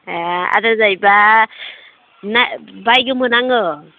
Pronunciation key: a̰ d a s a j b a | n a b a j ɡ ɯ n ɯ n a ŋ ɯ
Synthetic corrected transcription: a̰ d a z a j b a | n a b a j ɡ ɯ m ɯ n a ŋ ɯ